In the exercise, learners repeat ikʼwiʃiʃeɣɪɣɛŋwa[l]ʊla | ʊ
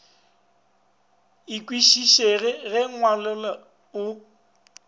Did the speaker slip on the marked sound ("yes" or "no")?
no